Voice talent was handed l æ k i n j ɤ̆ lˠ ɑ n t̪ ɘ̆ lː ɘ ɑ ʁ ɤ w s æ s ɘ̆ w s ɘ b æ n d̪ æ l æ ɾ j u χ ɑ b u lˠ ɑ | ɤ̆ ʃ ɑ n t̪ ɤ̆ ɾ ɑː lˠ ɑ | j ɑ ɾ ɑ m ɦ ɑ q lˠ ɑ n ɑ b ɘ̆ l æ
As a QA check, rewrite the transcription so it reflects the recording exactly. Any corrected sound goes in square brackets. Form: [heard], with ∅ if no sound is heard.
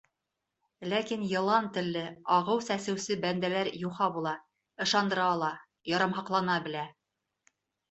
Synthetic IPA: l æ k i n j ɤ̆ lˠ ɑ n t̪ ɘ̆ lː ɘ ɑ ʁ ɤ w s æ s ɘ̆ w s ɘ b æ n d̪ æ l æ ɾ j u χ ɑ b u lˠ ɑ | ɤ̆ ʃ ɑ n [d̪] ɤ̆ ɾ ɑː lˠ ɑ | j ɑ ɾ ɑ m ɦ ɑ q lˠ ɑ n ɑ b ɘ̆ l æ